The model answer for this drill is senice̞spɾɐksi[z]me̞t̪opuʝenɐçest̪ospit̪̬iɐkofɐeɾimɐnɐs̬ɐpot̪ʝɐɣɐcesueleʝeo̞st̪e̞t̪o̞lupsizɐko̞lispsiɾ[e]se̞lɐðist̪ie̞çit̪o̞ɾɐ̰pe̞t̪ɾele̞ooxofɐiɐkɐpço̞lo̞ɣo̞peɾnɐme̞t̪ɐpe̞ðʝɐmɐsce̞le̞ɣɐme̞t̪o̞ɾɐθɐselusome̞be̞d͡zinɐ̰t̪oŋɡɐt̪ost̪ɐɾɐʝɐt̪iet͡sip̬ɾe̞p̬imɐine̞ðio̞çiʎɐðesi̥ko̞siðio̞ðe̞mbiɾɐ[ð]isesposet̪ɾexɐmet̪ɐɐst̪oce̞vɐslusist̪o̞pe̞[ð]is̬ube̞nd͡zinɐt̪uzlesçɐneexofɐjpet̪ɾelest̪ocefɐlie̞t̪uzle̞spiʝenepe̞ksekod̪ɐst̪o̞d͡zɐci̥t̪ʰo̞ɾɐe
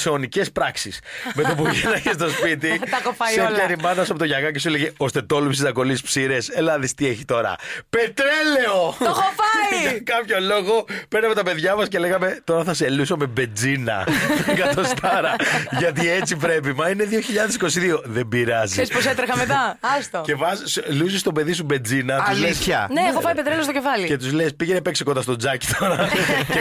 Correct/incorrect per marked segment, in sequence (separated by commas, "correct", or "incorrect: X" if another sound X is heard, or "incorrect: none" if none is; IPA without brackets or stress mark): incorrect: s, correct, incorrect: z, correct